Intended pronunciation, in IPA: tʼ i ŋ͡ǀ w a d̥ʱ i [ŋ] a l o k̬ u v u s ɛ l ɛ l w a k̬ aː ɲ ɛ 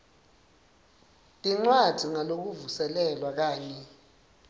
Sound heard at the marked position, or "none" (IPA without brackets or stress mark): ŋ